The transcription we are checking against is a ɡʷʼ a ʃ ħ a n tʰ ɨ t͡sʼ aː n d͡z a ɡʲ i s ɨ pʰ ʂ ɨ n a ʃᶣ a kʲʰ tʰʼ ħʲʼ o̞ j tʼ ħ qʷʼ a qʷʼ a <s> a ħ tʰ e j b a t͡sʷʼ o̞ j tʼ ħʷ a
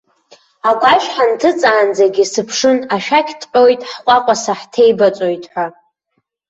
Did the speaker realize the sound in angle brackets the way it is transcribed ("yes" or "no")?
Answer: yes